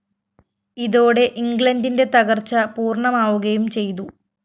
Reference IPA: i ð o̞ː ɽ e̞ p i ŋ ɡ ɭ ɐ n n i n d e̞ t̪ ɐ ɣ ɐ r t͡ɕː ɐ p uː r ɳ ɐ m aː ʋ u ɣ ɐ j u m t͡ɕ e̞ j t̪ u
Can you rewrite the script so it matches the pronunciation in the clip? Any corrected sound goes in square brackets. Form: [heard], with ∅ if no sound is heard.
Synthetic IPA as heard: i ð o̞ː ɽ e̞ [ʔ] i ŋ ɡ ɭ ɐ n [d] i n d e̞ t̪ ɐ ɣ ɐ r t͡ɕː ɐ p uː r ɳ ɐ m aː ʋ u ɣ ɐ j u m t͡ɕ e̞ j t̪ u